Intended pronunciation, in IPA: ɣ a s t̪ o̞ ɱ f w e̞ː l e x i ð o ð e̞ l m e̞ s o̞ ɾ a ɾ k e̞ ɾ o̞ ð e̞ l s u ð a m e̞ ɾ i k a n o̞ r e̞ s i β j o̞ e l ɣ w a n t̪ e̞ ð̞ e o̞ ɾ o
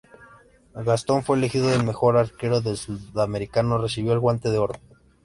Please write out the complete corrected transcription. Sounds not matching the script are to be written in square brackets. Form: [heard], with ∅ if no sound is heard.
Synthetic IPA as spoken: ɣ a s t̪ o̞ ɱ f w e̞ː l e x i ð o ð e̞ l m e̞ [x] o̞ ɾ a ɾ k e̞ ɾ o̞ ð e̞ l s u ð a m e̞ ɾ i k a n o̞ r e̞ s i β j o̞ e l ɣ w a n t̪ e̞ ð̞ e o̞ ɾ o

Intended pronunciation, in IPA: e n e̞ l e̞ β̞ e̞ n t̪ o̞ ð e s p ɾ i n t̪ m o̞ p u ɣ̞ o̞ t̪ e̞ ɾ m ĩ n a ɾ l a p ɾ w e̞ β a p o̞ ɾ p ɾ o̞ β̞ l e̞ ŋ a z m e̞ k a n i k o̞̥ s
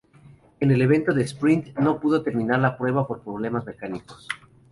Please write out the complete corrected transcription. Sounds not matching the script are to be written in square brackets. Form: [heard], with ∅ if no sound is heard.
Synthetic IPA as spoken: e n e̞ l e̞ β̞ e̞ n t̪ o̞ ð e s p ɾ i n t̪ [n] o̞ p u [ð̞] o̞ t̪ e̞ ɾ m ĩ n a ɾ l a p ɾ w e̞ β a p o̞ ɾ p ɾ o̞ β̞ l e̞ [m] a z m e̞ k a n i k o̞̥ s

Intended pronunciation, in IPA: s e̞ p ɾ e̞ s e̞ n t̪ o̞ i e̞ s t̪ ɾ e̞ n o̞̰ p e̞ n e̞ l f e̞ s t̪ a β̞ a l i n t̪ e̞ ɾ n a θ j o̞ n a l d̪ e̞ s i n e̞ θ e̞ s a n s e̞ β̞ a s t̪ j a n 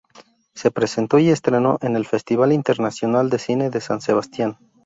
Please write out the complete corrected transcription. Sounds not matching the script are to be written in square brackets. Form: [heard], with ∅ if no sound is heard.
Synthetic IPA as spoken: s e̞ p ɾ e̞ s e̞ n t̪ o̞ i e̞ s t̪ ɾ e̞ n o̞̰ [ʔ] e̞ n e̞ l f e̞ s t̪ [i] β̞ a l i n t̪ e̞ ɾ n a [s] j o̞ n a l d̪ e̞ s i n e̞ [ð] e̞ s a n s e̞ β̞ a s t̪ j a n

